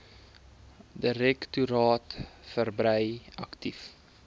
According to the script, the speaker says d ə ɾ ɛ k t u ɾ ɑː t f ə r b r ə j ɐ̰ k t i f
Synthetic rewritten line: d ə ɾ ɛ k t u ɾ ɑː t f ə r b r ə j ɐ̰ k t i f